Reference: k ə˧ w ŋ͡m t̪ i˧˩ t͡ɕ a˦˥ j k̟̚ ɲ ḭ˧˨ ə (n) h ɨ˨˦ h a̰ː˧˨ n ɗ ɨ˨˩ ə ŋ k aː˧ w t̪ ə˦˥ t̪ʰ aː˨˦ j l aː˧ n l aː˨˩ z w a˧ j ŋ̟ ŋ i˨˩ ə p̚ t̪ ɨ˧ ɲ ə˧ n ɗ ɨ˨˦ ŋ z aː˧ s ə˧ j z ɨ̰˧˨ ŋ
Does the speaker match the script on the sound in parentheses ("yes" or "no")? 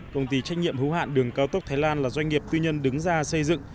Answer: no